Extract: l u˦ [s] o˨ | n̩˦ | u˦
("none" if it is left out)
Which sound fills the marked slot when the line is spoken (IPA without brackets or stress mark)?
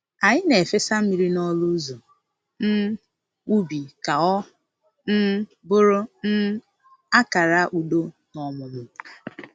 z